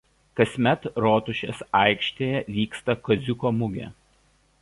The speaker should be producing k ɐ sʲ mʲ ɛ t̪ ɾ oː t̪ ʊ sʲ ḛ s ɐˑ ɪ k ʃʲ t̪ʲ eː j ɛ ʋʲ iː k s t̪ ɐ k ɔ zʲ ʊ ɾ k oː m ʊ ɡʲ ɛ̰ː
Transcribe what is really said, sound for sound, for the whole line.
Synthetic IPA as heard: k ɐ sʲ mʲ ɛ t̪ ɾ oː t̪ ʊ ʃʲ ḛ s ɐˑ ɪ k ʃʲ t̪ʲ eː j ɛ ʋʲ iː k s t̪ ɐ k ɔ zʲ ʊ k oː m ʊ ɡʲ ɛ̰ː